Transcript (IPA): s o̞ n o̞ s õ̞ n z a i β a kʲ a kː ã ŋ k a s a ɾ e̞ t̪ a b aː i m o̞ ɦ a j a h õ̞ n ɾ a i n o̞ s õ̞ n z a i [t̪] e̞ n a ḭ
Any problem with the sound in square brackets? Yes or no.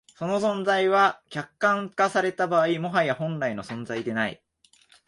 yes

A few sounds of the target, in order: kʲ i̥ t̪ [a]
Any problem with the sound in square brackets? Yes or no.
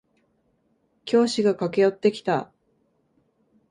no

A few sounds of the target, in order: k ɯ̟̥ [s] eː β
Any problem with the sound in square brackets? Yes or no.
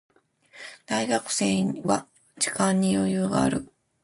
no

